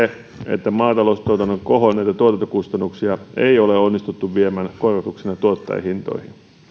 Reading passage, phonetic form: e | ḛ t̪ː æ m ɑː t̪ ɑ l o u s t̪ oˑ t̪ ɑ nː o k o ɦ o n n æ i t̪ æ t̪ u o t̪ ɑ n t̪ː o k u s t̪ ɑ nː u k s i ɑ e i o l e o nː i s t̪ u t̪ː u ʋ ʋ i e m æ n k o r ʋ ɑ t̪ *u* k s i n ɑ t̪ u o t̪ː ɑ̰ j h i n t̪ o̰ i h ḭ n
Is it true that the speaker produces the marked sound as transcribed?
yes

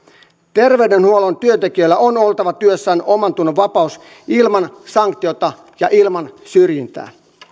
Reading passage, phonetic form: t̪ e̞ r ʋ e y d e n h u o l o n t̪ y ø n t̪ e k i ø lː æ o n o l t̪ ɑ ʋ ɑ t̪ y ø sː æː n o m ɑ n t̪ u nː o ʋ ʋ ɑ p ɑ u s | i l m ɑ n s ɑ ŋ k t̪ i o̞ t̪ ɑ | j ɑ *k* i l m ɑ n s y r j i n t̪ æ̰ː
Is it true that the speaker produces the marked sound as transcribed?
no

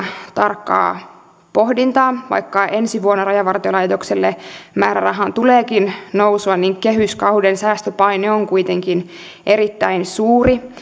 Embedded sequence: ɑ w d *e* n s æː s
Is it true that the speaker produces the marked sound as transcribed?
yes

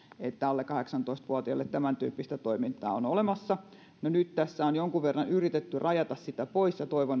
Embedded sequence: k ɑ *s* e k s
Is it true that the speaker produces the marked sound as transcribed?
no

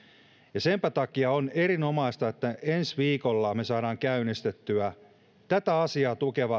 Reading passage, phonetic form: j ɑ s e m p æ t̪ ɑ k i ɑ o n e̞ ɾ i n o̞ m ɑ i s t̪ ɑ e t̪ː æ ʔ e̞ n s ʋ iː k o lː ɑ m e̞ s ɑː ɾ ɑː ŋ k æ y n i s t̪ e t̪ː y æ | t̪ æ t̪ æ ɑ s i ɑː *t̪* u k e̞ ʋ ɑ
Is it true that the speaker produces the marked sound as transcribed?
yes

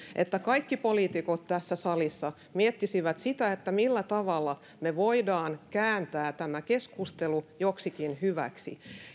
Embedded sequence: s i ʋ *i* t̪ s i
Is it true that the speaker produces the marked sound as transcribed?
no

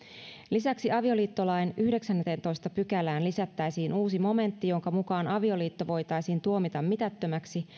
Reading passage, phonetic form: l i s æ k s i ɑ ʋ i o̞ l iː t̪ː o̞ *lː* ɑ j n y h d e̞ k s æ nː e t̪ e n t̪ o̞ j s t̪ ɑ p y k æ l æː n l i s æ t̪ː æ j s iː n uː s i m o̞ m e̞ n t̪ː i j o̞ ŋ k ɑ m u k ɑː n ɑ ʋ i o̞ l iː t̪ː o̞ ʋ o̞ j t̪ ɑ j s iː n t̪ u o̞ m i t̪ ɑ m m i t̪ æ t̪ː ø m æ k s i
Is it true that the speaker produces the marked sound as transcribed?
no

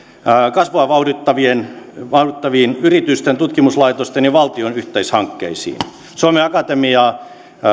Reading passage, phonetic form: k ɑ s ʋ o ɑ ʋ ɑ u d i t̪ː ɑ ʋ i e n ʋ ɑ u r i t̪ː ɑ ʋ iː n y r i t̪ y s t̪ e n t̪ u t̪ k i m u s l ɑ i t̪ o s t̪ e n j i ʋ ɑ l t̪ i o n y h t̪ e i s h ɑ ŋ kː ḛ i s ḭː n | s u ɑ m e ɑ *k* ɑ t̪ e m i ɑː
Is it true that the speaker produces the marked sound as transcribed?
yes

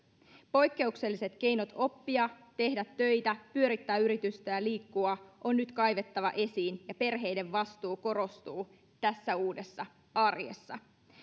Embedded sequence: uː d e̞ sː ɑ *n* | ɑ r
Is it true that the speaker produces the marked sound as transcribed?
no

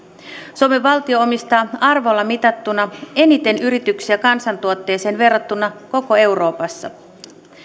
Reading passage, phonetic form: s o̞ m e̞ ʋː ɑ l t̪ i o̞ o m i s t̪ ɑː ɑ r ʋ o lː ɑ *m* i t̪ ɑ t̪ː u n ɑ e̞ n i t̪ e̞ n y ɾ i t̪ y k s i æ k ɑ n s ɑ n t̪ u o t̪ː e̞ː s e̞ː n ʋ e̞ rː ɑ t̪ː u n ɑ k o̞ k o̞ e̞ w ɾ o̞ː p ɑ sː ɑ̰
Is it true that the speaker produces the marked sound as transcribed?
yes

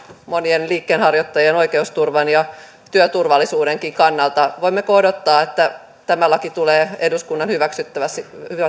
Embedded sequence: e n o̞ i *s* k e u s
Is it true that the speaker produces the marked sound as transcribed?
no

